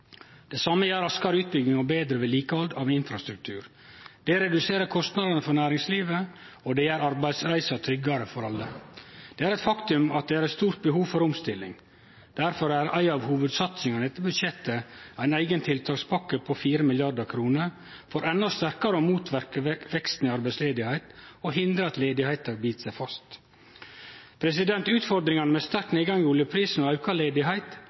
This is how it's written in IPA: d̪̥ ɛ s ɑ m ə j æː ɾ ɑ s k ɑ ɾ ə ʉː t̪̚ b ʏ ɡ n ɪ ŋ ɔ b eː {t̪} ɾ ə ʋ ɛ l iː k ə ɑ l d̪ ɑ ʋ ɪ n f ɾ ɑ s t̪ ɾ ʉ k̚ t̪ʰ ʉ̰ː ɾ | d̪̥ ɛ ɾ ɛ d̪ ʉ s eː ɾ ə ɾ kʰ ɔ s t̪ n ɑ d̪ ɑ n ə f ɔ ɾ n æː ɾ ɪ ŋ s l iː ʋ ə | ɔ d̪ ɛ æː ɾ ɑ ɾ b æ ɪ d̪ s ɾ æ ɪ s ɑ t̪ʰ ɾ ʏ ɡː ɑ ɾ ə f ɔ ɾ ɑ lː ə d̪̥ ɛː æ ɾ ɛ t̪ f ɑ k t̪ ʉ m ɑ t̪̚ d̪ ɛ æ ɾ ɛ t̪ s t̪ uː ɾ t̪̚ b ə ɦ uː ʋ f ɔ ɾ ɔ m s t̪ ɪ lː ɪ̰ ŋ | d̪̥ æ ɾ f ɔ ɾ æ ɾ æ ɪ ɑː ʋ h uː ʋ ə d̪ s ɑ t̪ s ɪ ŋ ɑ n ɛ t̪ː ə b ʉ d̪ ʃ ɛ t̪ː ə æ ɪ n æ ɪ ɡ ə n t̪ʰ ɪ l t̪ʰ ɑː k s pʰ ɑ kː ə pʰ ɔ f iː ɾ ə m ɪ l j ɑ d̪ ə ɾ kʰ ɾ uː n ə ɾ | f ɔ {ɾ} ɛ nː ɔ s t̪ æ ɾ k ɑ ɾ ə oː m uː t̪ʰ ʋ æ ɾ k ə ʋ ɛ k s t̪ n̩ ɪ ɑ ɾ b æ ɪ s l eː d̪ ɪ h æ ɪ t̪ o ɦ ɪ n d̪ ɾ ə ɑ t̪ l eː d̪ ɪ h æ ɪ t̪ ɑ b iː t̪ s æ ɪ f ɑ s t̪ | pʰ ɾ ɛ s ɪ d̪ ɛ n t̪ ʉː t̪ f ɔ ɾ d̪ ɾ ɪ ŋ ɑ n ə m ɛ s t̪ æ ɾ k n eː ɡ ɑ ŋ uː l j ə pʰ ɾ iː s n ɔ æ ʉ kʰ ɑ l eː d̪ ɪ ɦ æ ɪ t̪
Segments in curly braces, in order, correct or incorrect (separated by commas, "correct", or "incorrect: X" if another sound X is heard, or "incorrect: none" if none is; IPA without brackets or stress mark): incorrect: d̪, correct